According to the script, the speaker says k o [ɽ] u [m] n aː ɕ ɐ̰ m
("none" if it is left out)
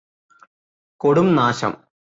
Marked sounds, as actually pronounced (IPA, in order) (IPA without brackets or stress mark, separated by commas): ɽ, m